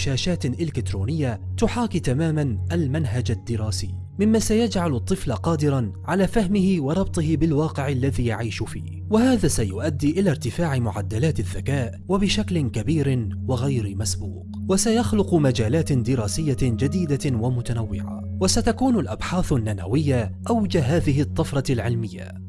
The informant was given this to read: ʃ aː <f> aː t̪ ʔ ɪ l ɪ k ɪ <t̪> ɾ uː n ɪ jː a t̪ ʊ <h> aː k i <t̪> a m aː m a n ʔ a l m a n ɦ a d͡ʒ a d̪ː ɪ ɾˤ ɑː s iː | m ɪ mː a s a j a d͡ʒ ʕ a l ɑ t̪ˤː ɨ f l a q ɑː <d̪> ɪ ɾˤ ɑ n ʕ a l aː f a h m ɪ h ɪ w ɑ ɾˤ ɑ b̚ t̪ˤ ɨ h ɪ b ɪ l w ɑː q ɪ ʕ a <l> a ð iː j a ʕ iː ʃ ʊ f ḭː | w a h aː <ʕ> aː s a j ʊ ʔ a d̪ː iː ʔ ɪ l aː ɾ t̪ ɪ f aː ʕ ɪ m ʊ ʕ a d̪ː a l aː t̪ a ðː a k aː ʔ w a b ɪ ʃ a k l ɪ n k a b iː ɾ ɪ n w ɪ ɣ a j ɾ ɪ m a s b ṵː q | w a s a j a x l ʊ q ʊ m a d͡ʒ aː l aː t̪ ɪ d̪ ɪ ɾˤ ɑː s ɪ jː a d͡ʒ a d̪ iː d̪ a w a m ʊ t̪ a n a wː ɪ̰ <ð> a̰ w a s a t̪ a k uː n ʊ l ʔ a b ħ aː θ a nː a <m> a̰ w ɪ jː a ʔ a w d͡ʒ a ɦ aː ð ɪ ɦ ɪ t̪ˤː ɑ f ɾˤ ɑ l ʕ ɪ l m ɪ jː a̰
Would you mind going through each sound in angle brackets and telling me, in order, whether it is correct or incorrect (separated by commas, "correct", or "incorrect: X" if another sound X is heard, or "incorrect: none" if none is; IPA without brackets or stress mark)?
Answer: incorrect: ʃ, correct, incorrect: ħ, correct, correct, incorrect: lː, incorrect: ð, incorrect: ʕ, incorrect: n